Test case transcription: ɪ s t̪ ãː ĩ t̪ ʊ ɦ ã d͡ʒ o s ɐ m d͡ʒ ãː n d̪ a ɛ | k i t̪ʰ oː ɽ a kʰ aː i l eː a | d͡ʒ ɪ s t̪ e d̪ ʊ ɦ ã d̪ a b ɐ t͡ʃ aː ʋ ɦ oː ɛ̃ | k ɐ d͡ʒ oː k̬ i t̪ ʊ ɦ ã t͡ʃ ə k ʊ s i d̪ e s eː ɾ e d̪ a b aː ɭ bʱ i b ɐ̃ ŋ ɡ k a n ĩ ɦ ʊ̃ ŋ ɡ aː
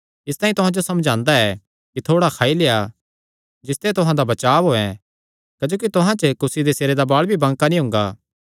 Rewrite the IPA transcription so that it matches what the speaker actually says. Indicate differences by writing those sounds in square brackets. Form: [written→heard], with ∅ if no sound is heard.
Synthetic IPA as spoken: ɪ s t̪ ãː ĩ t̪ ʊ ɦ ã d͡ʒ o s ɐ m d͡ʒ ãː n d̪ a ɛ | k i t̪ʰ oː ɽ a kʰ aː i l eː a | d͡ʒ ɪ s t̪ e [d̪→t̪] ʊ ɦ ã d̪ a b ɐ t͡ʃ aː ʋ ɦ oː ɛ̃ | k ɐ d͡ʒ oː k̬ i t̪ ʊ ɦ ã t͡ʃ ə k ʊ s i d̪ e s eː ɾ e d̪ a b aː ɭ bʱ i b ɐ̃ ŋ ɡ k a n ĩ ɦ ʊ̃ ŋ ɡ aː